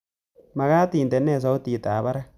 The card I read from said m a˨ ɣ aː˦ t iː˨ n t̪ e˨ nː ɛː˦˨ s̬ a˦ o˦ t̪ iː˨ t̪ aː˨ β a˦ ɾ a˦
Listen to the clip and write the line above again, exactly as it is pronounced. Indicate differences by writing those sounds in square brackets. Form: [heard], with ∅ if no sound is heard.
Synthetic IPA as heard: m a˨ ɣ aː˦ t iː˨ n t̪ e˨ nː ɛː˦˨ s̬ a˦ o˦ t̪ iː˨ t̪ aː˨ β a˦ ɾ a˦